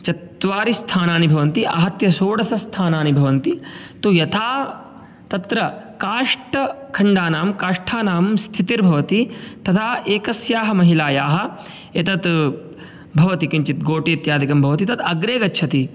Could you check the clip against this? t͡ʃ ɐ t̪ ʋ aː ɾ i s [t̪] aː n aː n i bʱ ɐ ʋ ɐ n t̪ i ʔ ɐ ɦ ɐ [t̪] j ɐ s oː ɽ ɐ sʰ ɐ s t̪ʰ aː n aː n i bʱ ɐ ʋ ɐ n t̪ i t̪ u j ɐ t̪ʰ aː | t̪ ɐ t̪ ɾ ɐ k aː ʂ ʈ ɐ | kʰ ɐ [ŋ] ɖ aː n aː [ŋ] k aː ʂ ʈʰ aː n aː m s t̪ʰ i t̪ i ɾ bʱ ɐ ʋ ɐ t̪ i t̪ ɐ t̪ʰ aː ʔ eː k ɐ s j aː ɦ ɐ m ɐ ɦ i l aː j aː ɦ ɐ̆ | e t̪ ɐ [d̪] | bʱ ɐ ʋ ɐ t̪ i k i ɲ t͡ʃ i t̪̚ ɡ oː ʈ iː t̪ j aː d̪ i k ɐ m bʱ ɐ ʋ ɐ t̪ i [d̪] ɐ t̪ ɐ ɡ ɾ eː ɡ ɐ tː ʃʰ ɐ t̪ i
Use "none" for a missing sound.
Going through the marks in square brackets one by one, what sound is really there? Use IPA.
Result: t̪ʰ, t̪, ɳ, m, t̪, t̪

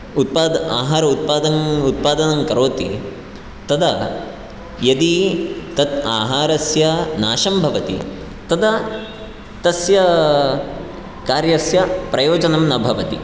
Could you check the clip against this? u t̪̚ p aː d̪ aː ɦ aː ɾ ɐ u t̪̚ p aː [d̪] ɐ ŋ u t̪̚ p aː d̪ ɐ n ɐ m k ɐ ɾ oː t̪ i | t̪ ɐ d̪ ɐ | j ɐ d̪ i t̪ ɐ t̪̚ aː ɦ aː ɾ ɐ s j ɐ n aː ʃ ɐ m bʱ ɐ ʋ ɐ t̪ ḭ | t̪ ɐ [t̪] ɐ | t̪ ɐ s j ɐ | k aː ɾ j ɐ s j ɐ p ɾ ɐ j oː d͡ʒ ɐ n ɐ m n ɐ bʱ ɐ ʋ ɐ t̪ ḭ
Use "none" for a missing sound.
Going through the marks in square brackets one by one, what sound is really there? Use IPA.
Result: d̪, d̪

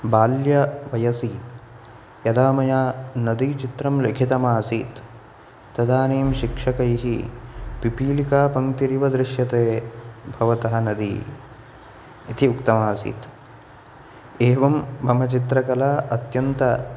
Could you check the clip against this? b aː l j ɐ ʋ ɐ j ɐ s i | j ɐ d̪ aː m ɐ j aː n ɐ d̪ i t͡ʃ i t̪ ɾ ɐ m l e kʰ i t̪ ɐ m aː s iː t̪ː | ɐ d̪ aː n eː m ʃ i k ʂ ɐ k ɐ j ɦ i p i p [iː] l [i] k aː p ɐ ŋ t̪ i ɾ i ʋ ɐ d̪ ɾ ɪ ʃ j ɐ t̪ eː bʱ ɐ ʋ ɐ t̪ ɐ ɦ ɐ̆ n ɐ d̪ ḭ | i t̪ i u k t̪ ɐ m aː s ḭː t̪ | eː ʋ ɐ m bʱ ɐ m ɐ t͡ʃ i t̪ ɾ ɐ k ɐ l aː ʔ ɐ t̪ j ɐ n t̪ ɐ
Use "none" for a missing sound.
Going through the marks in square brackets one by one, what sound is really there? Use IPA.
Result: iː, i

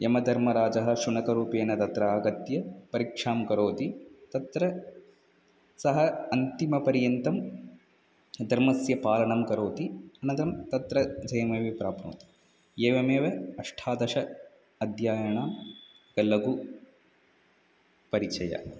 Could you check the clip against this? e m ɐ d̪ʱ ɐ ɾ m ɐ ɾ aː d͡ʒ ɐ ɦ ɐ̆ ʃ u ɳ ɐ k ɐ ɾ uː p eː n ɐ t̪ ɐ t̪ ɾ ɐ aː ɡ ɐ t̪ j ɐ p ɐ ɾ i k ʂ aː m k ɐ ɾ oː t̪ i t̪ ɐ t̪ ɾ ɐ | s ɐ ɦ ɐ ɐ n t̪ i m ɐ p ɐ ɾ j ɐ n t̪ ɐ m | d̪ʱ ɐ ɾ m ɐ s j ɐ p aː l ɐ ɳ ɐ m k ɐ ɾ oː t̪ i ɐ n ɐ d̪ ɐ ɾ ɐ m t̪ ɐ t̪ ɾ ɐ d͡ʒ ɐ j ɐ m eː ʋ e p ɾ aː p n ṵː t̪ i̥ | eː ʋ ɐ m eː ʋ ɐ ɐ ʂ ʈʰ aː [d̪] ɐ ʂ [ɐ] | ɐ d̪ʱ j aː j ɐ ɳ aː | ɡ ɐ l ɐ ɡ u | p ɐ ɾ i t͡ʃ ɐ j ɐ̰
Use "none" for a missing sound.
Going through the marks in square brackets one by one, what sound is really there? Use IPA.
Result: d̪, ɐ

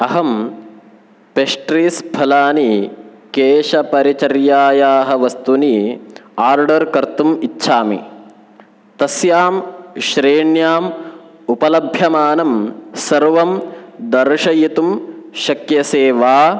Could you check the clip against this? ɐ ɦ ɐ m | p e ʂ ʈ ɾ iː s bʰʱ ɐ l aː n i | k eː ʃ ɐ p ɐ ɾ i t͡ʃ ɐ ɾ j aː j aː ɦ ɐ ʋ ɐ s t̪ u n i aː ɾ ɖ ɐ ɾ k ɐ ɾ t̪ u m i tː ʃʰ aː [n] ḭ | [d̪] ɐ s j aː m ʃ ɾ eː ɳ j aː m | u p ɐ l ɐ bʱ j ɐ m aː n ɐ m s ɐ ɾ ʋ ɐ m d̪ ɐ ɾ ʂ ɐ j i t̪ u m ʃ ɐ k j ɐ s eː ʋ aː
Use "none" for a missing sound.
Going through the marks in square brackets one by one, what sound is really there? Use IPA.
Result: m, t̪

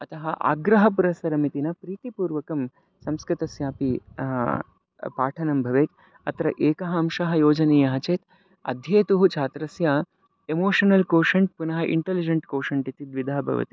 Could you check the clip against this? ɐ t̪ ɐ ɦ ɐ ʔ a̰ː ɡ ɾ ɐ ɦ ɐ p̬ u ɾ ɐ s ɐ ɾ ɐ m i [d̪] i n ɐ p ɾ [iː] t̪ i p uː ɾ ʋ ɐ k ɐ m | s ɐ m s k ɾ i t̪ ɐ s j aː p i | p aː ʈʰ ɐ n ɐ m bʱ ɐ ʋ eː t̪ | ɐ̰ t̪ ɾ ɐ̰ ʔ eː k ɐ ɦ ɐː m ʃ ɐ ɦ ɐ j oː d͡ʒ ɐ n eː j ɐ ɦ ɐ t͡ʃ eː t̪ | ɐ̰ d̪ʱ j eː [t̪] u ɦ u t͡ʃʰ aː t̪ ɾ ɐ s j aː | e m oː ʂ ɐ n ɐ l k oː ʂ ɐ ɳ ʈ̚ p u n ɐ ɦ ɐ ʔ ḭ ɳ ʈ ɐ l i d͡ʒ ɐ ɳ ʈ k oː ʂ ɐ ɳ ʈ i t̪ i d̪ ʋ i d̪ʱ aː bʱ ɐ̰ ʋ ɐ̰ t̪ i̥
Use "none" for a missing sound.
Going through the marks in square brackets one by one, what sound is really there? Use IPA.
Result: t̪, iː, t̪

